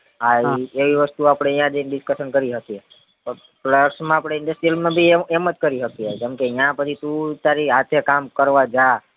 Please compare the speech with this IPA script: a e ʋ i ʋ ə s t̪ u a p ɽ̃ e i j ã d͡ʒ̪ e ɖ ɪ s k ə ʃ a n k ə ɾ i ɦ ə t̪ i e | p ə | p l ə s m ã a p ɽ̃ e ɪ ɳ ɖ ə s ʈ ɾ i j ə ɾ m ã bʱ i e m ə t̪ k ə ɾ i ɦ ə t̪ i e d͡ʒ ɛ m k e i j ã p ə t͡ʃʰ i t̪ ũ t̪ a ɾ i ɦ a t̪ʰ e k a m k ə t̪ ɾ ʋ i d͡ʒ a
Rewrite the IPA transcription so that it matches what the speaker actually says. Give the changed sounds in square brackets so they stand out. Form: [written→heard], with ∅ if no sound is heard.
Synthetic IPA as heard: a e ʋ i ʋ ə s t̪ u a p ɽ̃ e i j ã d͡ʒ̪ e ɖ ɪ s k ə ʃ [a→ə] n k ə ɾ i ɦ ə t̪ i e | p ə | p l ə s m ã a p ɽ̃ e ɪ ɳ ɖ ə s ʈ ɾ i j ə [ɾ→l] m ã bʱ i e m ə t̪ k ə ɾ i ɦ ə t̪ i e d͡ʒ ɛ m k e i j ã p ə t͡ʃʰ i t̪ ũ t̪ a ɾ i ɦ a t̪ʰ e k a m k ə [t̪→∅] ɾ ʋ [i→a] d͡ʒ a